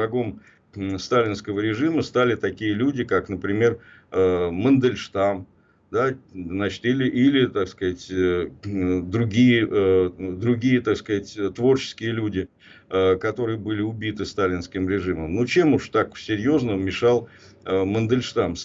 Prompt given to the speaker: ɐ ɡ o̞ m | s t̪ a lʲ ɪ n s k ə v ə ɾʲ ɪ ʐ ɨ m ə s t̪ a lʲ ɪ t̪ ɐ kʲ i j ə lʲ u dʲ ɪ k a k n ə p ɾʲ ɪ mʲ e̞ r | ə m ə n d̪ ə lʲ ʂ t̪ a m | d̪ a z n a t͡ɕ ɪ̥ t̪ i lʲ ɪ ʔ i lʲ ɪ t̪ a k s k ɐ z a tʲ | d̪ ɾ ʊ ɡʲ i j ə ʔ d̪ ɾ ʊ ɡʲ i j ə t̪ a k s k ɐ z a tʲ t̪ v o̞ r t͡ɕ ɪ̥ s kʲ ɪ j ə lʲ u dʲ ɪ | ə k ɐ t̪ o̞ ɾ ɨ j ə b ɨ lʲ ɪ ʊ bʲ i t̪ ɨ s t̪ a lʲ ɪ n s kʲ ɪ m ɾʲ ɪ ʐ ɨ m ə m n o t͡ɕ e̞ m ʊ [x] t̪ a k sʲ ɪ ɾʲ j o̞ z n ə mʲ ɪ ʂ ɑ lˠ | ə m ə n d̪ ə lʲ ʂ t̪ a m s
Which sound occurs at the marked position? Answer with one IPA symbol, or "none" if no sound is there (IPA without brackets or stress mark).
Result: ʂ